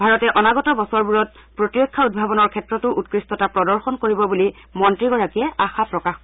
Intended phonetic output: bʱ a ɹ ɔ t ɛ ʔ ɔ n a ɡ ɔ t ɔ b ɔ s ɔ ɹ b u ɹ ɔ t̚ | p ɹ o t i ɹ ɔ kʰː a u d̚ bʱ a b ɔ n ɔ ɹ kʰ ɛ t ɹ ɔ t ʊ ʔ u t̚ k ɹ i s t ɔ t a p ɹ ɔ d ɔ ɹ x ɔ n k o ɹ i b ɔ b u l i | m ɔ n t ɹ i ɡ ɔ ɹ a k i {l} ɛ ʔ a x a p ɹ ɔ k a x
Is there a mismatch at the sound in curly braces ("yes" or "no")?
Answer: yes